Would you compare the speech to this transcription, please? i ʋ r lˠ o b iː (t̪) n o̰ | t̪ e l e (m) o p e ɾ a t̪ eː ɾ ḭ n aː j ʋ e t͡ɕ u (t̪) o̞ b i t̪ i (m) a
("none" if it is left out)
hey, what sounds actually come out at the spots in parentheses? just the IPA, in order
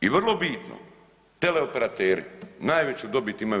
t̪, none, d̪, m

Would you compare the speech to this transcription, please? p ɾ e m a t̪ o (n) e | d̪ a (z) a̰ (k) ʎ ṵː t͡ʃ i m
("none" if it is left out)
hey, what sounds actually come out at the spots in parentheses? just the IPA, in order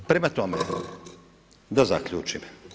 m, z, k

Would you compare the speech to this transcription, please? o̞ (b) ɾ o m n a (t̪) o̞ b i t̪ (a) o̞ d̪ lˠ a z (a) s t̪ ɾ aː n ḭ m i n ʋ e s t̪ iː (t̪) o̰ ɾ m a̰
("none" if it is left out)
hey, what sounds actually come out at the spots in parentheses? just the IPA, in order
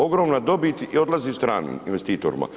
ɡ, d̪, i, i, t̪

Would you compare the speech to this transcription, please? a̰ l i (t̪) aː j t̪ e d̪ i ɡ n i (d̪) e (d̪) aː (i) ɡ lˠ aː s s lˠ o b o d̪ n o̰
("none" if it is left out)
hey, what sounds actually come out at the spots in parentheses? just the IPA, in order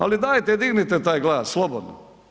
d̪, t̪, t̪, j

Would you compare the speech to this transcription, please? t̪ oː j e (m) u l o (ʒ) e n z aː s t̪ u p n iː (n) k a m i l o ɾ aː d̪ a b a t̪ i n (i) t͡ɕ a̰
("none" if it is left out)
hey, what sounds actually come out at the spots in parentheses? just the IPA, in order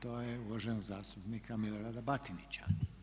none, ʒ, none, i

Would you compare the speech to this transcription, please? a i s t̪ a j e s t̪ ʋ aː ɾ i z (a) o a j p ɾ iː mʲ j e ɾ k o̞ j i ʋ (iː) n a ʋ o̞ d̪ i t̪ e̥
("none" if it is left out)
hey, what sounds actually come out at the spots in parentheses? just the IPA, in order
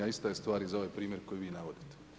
a, iː

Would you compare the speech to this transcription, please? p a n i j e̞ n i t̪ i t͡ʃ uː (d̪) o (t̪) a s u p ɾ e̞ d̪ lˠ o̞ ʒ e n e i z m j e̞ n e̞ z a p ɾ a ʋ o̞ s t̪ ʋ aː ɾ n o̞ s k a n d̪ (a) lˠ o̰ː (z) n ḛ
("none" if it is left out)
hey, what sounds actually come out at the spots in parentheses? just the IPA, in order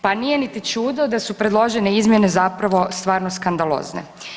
d̪, d̪, a, z

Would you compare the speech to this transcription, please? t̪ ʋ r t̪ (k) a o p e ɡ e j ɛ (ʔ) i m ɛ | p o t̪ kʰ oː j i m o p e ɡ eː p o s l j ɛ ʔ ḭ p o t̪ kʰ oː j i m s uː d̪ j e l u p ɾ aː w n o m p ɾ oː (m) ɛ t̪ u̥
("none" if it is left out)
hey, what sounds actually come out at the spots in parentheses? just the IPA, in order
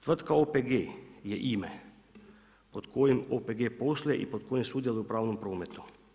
k, ʔ, m

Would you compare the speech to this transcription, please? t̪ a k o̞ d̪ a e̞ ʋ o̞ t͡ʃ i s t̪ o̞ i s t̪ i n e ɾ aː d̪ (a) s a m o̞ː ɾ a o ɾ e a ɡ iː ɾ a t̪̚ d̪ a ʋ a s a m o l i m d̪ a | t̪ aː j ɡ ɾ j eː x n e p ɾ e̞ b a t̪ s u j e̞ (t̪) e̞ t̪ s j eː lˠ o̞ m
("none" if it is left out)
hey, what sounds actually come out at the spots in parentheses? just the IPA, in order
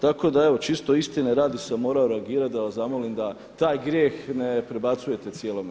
i, t̪

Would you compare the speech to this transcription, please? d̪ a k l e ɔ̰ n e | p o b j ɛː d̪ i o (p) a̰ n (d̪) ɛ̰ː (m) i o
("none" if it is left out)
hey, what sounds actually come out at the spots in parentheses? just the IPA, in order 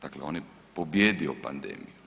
p, d̪, m

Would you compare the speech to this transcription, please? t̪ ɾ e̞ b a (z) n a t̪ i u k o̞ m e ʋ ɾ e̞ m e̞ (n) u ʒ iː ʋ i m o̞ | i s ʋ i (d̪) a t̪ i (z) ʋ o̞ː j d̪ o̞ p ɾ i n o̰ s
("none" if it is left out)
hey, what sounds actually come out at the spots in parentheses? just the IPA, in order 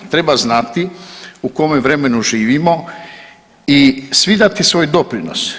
z, n, d̪, s

